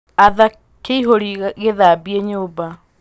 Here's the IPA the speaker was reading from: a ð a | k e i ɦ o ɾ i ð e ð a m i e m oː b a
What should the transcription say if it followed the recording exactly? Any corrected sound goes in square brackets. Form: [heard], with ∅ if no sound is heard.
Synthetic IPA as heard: a ð a | k e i ɦ o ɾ i [ɣ] e ð a [b] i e [ɲ] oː b a